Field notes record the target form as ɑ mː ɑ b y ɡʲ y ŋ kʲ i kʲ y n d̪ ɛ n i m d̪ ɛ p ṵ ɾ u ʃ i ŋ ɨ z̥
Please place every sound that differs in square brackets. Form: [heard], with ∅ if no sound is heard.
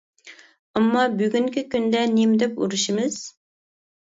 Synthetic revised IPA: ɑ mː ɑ b y ɡʲ y ŋ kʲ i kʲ y n d̪ ɛ n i m d̪ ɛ p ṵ ɾ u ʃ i [m] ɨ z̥